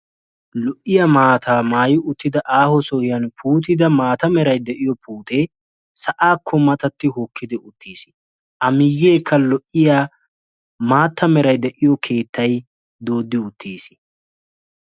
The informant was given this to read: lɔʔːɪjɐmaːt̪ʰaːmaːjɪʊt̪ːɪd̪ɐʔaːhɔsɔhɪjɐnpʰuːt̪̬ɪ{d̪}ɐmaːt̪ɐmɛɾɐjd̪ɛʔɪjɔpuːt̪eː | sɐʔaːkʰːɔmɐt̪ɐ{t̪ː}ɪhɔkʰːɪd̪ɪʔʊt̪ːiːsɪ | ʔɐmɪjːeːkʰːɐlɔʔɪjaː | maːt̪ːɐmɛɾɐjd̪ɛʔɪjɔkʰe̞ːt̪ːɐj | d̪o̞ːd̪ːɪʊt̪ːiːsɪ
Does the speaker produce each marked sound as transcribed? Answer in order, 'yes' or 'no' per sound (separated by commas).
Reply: yes, yes